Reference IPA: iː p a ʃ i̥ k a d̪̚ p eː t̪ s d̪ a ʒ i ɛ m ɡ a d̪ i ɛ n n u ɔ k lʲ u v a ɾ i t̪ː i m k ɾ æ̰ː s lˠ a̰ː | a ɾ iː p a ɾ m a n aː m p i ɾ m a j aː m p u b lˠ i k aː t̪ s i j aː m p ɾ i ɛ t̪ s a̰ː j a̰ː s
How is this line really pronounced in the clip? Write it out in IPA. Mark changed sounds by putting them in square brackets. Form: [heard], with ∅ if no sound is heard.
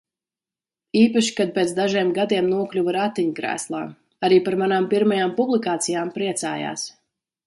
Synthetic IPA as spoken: iː p a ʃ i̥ k a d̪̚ p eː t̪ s d̪ a ʒ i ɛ m ɡ a d̪ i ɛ [m] n u ɔ k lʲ u v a ɾ [a] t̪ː i [ɲ] k ɾ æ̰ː s lˠ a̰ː | a ɾ iː p a ɾ m a n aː m p i ɾ m a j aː m p u b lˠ i k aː t̪ s i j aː m p ɾ i ɛ t̪ s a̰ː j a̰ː s